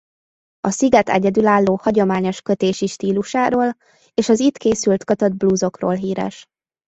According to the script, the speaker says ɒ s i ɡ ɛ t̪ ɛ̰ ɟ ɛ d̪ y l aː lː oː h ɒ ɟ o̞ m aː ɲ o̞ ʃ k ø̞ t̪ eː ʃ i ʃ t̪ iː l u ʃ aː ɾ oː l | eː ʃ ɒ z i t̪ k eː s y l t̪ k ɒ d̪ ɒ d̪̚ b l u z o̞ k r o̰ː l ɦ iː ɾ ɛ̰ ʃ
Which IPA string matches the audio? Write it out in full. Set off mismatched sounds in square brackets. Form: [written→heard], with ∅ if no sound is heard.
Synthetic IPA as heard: ɒ s i ɡ ɛ t̪ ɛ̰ ɟ ɛ d̪ y l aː lː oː h ɒ ɟ o̞ m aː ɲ o̞ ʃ k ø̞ t̪ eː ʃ i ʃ t̪ iː l u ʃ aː ɾ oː l | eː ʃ ɒ z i t̪ k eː s y l t̪ k ɒ [d̪→t̪] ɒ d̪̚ b l u z o̞ k r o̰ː l ɦ iː ɾ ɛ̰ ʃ

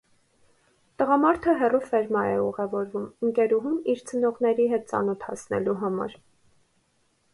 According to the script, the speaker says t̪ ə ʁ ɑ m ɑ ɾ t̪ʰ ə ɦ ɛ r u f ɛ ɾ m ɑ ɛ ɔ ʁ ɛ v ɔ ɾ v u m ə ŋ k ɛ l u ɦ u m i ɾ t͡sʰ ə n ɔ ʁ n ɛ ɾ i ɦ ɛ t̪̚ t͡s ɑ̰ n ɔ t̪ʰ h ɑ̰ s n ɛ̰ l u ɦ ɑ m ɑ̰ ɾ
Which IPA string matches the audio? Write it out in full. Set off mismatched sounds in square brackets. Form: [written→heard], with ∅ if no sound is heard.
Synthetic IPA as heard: t̪ ə ʁ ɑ m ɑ ɾ t̪ʰ ə ɦ ɛ r u f ɛ ɾ m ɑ ɛ [ɔ→u] ʁ ɛ v ɔ ɾ v u m ə ŋ k ɛ [l→ɾ] u ɦ u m i ɾ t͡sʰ ə n ɔ ʁ n ɛ ɾ i ɦ ɛ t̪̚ t͡s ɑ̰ n ɔ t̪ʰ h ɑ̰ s n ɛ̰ l u ɦ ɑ m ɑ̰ ɾ

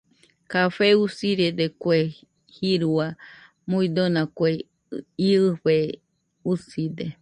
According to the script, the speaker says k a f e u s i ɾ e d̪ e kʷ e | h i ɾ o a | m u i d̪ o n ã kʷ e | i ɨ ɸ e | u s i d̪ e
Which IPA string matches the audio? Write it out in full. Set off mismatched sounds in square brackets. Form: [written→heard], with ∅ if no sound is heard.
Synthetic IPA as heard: k a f e u s i ɾ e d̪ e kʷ e | h i ɾ [o→u] a | m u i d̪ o n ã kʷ e | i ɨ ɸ e | u s i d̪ e

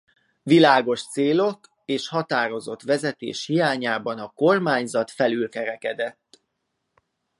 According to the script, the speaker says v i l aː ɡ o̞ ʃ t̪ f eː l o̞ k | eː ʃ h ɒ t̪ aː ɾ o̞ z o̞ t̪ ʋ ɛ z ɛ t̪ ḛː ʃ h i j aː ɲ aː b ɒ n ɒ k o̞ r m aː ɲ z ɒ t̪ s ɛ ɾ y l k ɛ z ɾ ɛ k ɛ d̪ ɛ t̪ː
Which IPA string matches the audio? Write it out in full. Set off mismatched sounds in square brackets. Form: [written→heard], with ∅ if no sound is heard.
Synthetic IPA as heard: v i l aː ɡ o̞ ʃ t̪ [f→s] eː l o̞ k | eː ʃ h ɒ t̪ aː ɾ o̞ z o̞ t̪ ʋ ɛ z ɛ t̪ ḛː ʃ h i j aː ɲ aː b ɒ n ɒ k o̞ r m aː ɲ z ɒ t̪ [s→f] ɛ [ɾ→l] y l k ɛ [z→∅] ɾ ɛ k ɛ d̪ ɛ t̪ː

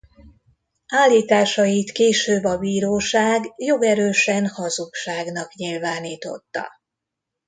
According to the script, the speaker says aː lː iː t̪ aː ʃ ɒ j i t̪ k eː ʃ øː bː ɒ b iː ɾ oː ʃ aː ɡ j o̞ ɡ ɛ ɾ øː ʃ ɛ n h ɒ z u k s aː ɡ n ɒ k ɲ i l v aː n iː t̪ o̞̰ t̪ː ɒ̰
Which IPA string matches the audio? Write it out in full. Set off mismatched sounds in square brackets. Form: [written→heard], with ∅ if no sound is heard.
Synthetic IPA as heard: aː lː iː t̪ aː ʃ ɒ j i t̪ k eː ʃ øː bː ɒ b iː ɾ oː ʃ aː ɡ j o̞ ɡ ɛ ɾ øː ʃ ɛ n h ɒ z u k [s→ʃ] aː ɡ n ɒ k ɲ i l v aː n iː t̪ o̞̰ t̪ː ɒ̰

